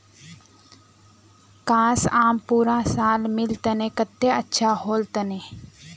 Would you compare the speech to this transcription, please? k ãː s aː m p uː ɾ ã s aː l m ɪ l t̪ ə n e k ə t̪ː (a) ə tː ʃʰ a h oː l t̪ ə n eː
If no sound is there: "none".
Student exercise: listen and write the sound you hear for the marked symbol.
e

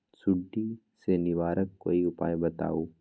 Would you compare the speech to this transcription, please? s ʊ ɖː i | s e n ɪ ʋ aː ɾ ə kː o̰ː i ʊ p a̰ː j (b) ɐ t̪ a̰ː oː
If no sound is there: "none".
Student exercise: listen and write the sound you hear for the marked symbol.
b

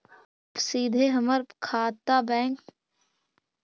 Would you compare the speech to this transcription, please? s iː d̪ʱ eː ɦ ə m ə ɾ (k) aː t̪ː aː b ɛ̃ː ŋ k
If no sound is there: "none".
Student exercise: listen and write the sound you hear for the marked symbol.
kʰ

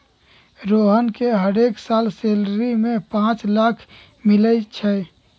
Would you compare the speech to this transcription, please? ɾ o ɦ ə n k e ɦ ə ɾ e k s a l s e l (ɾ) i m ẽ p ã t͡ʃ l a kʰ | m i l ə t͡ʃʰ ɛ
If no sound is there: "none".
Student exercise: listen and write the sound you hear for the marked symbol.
ɾ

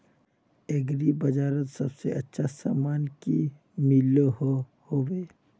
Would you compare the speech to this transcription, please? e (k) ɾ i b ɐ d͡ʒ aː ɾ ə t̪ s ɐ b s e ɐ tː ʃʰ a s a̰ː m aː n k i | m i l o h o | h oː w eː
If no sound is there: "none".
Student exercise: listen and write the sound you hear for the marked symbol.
ɡ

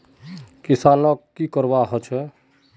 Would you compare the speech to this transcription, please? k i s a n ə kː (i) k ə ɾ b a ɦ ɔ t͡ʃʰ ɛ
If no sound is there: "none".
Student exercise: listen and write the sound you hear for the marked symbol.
i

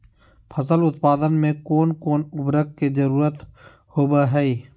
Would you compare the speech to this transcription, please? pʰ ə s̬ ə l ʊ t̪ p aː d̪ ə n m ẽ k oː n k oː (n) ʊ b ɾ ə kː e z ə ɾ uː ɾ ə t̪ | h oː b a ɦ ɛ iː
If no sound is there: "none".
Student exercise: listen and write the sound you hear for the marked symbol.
n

